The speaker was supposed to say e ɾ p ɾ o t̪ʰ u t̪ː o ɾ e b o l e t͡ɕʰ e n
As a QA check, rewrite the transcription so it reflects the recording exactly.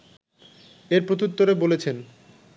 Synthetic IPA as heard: e ɾ p ɾ o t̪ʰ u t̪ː o ɾ e b o l e t͡ɕʰ e n